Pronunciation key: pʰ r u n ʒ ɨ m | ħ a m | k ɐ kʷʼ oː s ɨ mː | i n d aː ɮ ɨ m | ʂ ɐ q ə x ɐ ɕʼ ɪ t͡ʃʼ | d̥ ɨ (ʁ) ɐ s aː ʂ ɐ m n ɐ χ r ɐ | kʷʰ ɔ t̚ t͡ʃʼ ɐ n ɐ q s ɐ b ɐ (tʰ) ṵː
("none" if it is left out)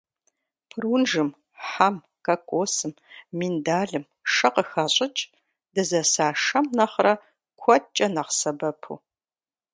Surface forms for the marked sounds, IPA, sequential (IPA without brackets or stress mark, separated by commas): z, pʰ